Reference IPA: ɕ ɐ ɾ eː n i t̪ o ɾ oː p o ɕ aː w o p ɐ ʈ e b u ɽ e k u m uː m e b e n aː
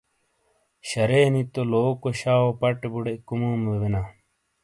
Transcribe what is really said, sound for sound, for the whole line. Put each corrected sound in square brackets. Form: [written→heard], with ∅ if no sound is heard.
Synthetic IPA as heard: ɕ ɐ ɾ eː n i t̪ o [ɾ→l] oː [p→k] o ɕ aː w o p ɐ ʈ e b u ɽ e k u m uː m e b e n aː